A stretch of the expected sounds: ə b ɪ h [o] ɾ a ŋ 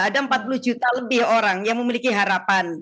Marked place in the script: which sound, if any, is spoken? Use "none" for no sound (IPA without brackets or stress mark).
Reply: o